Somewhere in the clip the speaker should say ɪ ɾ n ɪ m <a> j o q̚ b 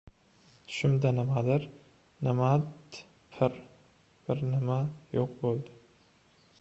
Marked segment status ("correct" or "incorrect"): correct